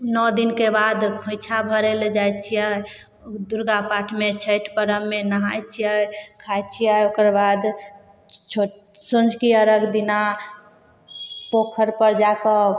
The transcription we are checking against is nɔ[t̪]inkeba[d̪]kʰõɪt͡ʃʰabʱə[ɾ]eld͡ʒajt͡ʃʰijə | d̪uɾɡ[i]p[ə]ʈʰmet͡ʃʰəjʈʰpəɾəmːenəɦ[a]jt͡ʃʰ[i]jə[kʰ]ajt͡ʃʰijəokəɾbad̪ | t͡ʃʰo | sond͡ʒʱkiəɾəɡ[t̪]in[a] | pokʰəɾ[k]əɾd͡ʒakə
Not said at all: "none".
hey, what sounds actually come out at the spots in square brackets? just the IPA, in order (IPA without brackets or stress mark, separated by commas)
d̪, d̪, ɾ, a, a, a, i, kʰ, d̪, a, p